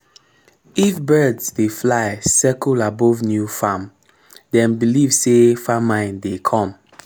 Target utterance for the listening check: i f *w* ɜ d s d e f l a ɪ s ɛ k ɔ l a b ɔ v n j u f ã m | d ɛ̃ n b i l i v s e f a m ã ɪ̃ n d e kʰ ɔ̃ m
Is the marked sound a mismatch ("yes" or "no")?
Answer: yes